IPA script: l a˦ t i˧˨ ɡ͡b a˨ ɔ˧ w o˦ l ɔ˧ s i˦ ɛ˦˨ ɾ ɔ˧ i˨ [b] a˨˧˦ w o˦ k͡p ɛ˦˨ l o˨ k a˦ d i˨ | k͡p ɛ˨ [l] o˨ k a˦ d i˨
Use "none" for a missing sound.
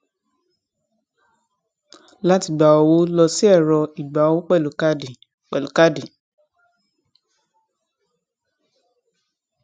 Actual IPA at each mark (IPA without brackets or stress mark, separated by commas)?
ɡ͡b, l